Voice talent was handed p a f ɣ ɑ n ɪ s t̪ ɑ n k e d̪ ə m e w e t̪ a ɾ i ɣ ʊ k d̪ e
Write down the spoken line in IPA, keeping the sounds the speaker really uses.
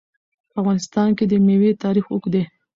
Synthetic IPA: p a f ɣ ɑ n ɪ s t̪ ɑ n k e d̪ ə m e w e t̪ ɑ ɾ i x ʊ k d̪ e